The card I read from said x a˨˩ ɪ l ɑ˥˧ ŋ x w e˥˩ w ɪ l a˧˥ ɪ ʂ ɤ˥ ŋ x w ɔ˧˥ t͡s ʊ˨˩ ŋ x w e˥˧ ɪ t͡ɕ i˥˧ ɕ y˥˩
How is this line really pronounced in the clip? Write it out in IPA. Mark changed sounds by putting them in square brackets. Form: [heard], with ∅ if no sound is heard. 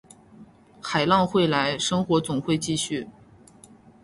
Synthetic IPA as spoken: x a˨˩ ɪ l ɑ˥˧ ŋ x w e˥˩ [∅] ɪ l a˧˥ ɪ ʂ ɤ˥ ŋ x w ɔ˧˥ t͡s ʊ˨˩ ŋ x w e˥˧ ɪ t͡ɕ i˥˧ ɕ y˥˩